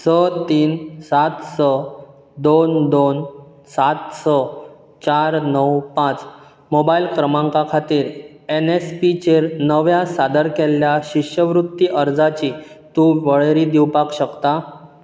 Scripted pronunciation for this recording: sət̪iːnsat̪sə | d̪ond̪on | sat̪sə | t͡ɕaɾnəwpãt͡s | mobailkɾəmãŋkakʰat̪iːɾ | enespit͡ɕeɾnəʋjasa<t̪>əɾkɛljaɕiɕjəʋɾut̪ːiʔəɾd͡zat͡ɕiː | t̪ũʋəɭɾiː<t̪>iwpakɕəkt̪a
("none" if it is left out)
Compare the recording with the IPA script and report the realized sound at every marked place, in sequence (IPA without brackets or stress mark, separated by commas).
d̪, d̪